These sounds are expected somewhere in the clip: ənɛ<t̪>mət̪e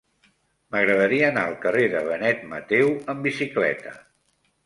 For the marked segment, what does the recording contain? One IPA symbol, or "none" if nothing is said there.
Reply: t̪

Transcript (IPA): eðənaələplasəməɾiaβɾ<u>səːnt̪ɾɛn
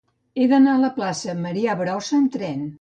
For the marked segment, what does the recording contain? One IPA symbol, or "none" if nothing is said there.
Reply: ɔ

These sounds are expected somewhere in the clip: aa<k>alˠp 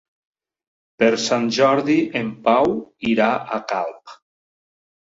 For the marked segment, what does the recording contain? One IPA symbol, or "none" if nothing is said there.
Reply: k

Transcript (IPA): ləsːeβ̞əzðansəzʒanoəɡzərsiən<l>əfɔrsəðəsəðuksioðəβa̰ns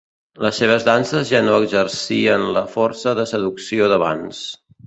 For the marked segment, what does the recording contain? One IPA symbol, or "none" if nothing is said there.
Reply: l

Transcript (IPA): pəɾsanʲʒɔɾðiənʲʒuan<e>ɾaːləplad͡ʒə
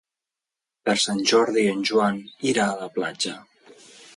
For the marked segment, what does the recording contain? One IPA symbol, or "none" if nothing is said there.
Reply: i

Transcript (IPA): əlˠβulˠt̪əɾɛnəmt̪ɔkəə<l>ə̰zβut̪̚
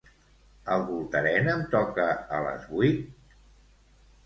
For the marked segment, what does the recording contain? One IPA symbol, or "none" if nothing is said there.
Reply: l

